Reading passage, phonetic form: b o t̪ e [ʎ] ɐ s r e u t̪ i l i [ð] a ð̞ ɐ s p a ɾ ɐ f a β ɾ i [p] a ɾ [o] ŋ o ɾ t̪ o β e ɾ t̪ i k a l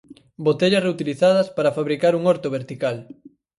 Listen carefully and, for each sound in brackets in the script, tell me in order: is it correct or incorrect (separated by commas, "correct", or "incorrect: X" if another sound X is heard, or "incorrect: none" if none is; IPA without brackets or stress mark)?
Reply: correct, incorrect: θ, incorrect: k, incorrect: u